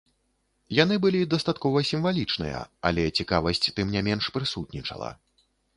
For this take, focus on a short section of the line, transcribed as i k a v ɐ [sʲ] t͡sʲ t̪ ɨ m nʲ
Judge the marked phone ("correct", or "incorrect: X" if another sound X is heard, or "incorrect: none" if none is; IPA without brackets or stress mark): correct